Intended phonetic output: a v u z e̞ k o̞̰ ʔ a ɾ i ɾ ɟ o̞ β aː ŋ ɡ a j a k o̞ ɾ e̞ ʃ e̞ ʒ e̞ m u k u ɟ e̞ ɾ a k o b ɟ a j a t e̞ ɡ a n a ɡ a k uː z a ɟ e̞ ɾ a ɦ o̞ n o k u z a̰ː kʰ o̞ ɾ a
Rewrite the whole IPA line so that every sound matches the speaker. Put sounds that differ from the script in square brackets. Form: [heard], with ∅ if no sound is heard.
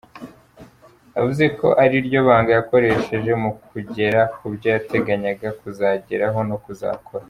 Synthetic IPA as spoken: a v u z e̞ k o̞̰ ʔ a ɾ i ɾ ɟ o̞ β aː ŋ ɡ a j a k o̞ ɾ e̞ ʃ e̞ ʒ e̞ m u k u ɟ e̞ ɾ a k [u] b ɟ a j a t e̞ ɡ a [ɲ] a ɡ a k [u] z a ɟ e̞ ɾ a ɦ o̞ n o k u z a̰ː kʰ o̞ ɾ a

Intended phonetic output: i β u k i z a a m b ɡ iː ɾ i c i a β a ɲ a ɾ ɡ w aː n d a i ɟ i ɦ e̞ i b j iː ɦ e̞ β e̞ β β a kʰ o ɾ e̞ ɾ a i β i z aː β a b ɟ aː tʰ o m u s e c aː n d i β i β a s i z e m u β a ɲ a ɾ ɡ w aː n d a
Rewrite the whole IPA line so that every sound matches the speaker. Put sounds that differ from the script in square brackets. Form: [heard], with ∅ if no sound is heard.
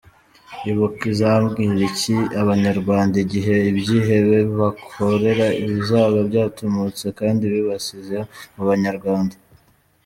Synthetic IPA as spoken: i β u k i z a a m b ɡ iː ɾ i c i a β a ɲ a ɾ ɡ w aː n d a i ɟ i ɦ e̞ i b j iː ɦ e̞ β e̞ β β a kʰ o ɾ e̞ ɾ a i β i z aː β a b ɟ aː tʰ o m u [t͡s] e [k] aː n d i β i β a s i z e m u β a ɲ a ɾ ɡ w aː n d a

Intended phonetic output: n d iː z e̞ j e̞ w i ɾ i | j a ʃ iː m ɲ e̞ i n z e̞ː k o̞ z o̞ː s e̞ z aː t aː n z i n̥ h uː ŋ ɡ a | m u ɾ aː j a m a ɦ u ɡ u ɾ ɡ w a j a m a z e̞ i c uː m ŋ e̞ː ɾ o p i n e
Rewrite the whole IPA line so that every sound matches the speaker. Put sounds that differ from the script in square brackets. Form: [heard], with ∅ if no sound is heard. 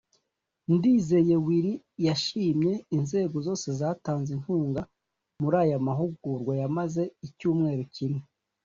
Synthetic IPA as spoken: n d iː z e̞ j e̞ w i ɾ i | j a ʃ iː m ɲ e̞ i n z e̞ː [ɡ] o̞ z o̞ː s e̞ z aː t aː n z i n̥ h uː ŋ ɡ a | m u ɾ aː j a m a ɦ u ɡ u ɾ ɡ w a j a m a z e̞ i c uː m ŋ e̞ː ɾ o [c] i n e

